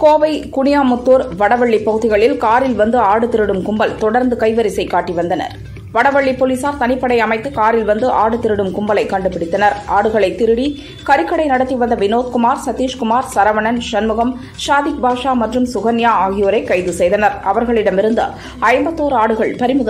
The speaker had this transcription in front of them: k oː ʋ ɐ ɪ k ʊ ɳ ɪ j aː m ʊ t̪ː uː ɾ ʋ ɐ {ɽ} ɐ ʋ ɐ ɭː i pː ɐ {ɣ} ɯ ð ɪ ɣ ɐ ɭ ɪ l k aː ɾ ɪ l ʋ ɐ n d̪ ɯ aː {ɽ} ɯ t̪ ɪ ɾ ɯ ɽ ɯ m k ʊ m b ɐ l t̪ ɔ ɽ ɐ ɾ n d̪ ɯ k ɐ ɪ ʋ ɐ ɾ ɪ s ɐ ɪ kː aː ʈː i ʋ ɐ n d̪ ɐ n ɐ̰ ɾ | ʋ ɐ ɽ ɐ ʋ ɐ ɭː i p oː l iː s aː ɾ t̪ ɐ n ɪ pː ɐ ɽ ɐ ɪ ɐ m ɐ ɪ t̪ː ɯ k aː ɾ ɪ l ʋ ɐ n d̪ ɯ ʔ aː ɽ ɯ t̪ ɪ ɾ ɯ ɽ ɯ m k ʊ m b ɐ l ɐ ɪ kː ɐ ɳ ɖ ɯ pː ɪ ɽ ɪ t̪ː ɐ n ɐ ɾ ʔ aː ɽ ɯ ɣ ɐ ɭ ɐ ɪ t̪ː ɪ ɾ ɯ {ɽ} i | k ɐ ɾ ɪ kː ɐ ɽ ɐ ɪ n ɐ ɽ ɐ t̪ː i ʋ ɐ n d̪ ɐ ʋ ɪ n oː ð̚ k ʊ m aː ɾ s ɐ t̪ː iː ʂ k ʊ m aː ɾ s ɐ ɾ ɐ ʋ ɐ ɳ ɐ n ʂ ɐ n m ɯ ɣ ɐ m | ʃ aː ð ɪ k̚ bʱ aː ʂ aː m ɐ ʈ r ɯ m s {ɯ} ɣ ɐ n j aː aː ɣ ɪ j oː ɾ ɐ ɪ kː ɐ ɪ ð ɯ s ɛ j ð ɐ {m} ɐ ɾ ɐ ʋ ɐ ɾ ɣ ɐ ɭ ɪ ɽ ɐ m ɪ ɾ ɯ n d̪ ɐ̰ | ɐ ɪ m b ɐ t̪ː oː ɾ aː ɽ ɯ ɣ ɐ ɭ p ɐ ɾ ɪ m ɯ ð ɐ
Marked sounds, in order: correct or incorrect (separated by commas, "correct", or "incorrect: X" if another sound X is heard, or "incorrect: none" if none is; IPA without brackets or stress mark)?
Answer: correct, correct, correct, correct, incorrect: ʊ, incorrect: n